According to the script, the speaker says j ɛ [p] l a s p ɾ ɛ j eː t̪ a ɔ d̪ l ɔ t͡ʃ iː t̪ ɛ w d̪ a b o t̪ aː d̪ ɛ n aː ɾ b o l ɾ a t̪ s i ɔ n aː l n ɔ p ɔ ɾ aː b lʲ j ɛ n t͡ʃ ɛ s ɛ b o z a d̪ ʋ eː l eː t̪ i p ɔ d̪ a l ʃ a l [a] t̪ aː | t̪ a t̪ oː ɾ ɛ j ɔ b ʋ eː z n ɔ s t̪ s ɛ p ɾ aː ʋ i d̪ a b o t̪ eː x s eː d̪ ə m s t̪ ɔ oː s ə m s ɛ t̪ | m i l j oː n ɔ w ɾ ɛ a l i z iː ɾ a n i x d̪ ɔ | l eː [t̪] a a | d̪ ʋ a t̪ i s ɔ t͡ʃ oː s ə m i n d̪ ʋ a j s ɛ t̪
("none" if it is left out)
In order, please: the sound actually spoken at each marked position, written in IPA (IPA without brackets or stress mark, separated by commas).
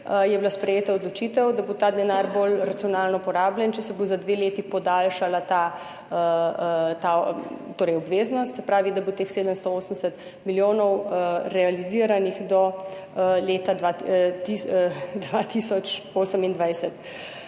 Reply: b, a, t̪